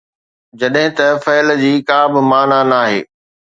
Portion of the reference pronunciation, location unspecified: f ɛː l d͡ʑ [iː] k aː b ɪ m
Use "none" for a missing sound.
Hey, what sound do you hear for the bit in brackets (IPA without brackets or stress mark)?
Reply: iː